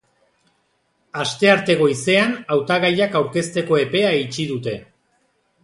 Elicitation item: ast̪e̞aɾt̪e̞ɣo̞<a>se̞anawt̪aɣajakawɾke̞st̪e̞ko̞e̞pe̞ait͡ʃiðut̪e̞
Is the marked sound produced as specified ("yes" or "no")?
no